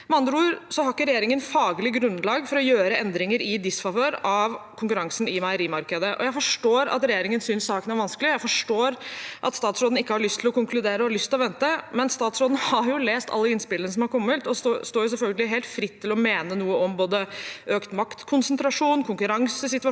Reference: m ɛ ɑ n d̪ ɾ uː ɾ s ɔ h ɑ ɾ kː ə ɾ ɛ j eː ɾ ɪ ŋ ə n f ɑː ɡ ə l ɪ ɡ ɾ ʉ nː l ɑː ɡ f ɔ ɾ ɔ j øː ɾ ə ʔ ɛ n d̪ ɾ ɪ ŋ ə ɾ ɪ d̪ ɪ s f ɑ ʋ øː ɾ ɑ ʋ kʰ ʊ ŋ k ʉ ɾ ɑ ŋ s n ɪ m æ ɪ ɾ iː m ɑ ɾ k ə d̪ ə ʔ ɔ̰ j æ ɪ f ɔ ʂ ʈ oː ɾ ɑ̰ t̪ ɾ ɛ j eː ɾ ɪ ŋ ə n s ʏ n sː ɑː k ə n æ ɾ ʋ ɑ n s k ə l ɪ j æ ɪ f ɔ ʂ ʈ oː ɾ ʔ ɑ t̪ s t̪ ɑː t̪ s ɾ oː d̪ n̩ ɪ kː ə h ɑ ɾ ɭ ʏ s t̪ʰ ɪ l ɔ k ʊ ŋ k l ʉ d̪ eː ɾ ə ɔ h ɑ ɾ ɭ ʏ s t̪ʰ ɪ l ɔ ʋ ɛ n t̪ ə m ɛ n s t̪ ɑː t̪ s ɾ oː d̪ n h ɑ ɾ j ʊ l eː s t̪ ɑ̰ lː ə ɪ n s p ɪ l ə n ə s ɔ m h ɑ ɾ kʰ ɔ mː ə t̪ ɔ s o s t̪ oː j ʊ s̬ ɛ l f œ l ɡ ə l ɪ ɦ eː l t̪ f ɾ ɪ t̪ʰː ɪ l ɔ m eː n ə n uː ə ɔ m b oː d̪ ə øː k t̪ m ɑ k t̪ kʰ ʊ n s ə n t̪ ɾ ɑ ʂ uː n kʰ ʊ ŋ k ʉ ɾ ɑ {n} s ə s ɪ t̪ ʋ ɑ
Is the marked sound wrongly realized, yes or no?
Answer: yes